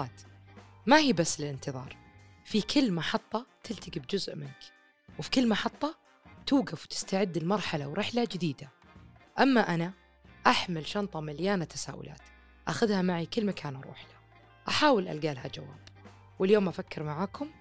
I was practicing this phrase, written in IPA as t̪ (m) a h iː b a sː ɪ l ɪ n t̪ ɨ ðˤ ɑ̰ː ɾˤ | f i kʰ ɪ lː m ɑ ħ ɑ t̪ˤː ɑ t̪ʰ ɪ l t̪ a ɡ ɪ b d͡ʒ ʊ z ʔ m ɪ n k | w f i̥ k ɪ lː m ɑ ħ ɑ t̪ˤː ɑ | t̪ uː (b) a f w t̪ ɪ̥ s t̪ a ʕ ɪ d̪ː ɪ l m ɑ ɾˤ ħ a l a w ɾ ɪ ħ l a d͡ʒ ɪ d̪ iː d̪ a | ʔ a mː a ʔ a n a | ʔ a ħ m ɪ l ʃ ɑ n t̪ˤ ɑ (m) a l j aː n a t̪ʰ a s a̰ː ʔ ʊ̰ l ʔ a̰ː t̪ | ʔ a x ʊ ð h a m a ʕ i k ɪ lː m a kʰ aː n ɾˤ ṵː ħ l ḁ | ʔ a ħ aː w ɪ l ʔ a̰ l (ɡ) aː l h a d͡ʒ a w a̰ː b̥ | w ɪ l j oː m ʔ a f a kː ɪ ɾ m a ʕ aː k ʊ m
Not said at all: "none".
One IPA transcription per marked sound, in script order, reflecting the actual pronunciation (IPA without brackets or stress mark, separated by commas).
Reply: m, ɡ, m, ɡ